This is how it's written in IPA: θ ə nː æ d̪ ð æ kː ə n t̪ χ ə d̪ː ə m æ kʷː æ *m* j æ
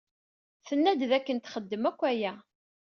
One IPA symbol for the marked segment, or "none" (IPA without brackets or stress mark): none